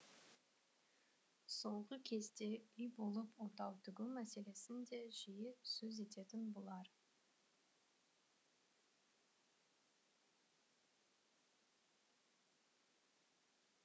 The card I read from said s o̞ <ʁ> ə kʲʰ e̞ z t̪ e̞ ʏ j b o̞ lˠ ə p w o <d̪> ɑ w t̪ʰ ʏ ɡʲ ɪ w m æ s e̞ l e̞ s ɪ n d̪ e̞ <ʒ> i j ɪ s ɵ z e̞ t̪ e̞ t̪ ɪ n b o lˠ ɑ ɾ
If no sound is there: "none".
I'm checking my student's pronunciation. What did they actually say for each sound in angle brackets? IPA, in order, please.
ʁ, t̪, ʒ

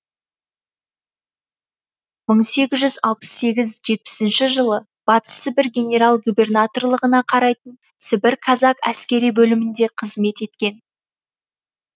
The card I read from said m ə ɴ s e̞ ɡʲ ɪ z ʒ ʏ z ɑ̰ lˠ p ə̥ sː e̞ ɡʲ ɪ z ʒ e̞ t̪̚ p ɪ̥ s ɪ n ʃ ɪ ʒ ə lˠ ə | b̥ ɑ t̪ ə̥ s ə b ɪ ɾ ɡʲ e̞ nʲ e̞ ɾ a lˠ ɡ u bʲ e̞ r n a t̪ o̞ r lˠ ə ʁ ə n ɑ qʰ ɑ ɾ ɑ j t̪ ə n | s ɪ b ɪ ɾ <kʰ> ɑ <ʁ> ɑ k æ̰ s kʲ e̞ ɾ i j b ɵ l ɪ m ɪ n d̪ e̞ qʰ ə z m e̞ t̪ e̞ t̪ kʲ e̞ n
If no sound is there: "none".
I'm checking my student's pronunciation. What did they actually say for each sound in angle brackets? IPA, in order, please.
kʰ, z

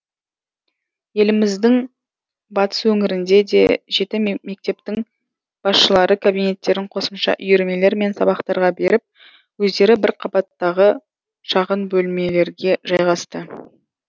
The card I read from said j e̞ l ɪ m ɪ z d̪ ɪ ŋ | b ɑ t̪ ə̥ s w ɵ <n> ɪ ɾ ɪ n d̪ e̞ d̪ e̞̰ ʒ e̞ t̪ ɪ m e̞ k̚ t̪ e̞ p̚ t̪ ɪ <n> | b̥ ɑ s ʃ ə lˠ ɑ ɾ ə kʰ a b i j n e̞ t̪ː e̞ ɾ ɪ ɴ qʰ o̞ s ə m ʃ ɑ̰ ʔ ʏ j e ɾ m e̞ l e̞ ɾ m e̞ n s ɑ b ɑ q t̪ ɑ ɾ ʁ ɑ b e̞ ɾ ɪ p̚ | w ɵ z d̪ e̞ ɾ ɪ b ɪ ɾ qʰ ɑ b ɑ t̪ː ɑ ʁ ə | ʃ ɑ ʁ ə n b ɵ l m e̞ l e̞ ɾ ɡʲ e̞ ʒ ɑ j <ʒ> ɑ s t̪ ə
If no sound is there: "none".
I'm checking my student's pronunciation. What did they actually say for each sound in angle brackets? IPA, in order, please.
ŋ, ŋ, ʁ

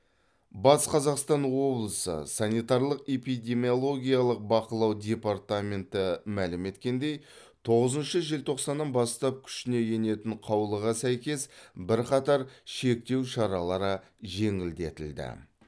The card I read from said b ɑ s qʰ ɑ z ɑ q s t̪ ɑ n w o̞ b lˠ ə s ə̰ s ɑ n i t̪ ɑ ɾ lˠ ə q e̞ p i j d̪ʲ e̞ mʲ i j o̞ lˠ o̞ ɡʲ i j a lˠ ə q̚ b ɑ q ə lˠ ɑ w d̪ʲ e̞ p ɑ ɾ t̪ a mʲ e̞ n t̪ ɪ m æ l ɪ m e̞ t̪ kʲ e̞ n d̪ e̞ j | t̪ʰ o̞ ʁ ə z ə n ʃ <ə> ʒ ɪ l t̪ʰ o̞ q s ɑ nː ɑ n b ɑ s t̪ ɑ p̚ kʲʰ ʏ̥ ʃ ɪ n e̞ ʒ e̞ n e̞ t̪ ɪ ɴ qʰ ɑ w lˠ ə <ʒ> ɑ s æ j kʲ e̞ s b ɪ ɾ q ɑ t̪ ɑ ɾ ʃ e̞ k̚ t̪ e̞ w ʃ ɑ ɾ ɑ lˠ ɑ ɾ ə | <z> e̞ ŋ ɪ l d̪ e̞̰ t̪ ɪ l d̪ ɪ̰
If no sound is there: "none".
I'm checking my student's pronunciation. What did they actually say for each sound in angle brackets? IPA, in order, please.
ə, ʁ, ʒ

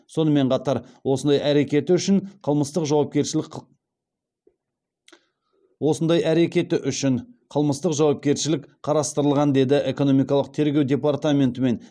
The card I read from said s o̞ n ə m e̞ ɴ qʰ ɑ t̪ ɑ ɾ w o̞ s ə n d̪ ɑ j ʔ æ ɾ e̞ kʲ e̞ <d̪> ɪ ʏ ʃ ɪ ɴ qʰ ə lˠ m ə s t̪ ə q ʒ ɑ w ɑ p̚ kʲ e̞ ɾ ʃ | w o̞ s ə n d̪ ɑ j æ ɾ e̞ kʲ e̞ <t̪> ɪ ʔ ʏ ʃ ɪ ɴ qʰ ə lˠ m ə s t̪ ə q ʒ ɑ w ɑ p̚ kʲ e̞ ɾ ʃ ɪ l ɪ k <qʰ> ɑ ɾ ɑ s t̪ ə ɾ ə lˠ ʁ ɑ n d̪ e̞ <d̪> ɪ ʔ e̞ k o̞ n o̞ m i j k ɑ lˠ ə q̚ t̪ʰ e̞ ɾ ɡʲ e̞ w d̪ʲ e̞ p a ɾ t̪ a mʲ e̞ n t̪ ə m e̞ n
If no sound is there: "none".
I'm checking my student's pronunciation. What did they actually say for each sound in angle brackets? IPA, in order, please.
t̪, t̪, qʰ, d̪

